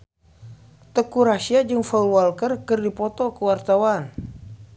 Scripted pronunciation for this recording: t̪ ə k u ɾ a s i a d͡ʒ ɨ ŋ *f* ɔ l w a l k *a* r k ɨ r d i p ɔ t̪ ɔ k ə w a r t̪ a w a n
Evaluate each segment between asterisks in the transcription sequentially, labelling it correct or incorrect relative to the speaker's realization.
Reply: correct, incorrect

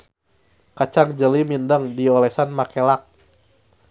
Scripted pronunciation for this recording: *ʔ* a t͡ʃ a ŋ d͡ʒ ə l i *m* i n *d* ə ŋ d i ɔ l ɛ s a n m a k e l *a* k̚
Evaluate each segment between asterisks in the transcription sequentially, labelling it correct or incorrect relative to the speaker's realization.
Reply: incorrect, correct, correct, correct

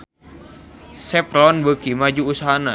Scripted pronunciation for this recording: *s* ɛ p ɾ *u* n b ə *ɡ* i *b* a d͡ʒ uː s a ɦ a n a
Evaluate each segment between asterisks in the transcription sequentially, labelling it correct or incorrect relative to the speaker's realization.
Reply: correct, incorrect, incorrect, incorrect

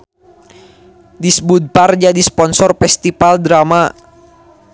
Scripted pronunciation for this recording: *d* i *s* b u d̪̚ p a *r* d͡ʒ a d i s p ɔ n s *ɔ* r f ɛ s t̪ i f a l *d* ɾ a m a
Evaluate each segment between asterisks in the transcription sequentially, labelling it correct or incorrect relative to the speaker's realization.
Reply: correct, correct, correct, correct, correct

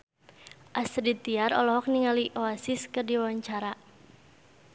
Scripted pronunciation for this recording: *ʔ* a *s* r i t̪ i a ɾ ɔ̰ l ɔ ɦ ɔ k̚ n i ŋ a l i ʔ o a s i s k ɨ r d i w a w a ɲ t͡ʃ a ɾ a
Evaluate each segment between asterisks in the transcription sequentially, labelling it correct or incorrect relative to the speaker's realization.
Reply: correct, correct

